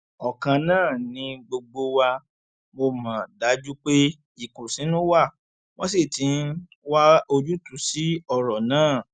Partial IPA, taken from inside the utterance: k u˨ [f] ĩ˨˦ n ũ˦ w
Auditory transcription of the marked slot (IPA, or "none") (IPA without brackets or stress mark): s